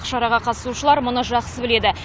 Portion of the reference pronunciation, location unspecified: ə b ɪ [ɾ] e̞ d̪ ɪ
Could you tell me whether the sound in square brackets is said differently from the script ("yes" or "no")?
yes